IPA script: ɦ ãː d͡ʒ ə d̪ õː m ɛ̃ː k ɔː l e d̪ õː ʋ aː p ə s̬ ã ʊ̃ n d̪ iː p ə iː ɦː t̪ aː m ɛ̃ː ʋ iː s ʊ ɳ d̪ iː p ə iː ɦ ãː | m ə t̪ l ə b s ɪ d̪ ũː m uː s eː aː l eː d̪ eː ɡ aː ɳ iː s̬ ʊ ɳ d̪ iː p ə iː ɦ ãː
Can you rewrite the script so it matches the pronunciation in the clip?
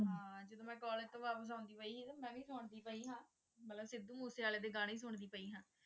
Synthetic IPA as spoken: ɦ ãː d͡ʒ ə d̪ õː m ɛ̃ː k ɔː l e t̪ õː ʋ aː p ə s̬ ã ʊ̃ n d̪ iː p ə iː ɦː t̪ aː m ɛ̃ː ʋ iː s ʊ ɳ d̪ iː p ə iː ɦ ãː | m ə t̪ l ə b s ɪ d̪ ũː m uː s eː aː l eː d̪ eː ɡ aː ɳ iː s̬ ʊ ɳ d̪ iː p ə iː ɦ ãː